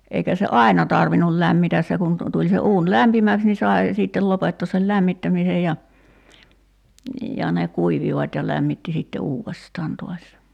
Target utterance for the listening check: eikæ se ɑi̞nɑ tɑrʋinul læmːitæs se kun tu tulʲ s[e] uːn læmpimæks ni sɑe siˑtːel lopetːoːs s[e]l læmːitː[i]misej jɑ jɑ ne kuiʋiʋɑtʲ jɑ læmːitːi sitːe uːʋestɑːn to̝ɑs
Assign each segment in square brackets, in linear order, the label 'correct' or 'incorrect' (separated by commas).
correct, correct, incorrect